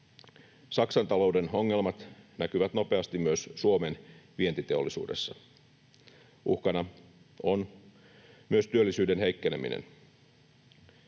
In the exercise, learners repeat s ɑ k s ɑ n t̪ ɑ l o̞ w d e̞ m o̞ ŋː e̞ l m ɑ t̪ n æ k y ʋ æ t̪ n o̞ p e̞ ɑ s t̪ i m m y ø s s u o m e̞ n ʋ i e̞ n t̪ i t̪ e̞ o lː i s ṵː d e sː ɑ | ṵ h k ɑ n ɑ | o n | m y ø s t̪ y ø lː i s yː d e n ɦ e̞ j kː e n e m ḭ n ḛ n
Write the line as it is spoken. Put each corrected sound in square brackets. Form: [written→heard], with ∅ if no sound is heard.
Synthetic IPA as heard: s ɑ k s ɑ n t̪ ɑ l o̞ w d e̞ [m→n] o̞ ŋː e̞ l m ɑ t̪ n æ k y ʋ æ t̪ n o̞ p e̞ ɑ s t̪ i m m y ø s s u o m e̞ n ʋ i e̞ n t̪ i t̪ e̞ o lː i s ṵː d e sː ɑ | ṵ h k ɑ n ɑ | o n | m y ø s t̪ y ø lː i s yː d e n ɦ e̞ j kː e n e m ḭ n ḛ n

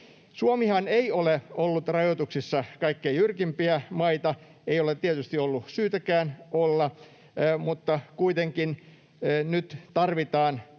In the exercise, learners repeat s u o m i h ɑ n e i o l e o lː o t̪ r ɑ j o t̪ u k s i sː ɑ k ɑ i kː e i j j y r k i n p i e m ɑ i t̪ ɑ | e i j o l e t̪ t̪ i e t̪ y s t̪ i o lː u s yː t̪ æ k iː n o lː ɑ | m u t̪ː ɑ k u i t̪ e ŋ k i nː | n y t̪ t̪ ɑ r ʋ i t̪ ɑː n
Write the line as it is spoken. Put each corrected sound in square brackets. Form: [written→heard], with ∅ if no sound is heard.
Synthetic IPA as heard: s u o m i h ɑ n e i o l e o lː [o→u] t̪ r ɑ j o t̪ u k s i sː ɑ k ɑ i kː e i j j y r k i [n→m] p i [e→æ] m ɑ i t̪ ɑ | e i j o l e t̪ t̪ i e t̪ y s t̪ i o lː u s yː t̪ æ k [iː→æː] n o lː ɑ | m u t̪ː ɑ k u i t̪ e ŋ k i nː | n y t̪ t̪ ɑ r ʋ i t̪ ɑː n

